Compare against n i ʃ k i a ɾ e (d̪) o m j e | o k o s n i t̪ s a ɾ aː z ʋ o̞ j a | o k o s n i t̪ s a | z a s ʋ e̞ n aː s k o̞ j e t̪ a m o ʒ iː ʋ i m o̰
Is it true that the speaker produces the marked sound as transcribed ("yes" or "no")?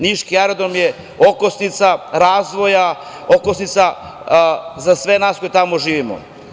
yes